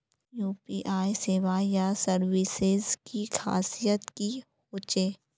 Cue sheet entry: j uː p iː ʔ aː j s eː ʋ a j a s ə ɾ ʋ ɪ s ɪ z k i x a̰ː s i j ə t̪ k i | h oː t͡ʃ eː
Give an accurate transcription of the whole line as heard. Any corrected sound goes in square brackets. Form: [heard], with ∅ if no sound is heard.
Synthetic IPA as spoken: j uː p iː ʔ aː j s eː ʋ a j a s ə ɾ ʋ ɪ s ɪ z k i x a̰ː s i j ə t̪ k i | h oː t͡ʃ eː